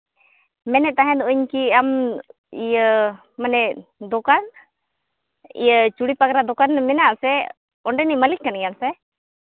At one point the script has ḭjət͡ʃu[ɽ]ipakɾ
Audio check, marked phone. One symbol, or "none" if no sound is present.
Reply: ɽ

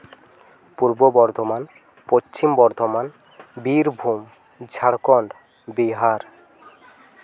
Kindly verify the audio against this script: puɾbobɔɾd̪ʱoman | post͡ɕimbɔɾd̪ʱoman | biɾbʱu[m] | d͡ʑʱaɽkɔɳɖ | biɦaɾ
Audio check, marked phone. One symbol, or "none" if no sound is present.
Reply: m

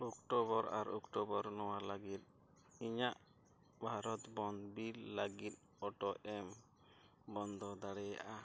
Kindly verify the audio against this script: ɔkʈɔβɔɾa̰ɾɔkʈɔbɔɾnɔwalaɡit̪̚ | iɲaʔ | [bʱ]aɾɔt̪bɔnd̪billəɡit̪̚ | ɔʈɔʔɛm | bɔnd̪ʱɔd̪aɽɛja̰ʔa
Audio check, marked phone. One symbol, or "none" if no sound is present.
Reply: bʱ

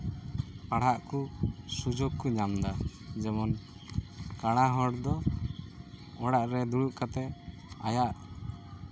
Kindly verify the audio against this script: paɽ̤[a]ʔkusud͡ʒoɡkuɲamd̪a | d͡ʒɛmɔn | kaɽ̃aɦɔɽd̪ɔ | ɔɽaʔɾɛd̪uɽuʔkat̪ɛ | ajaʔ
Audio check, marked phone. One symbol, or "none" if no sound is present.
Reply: a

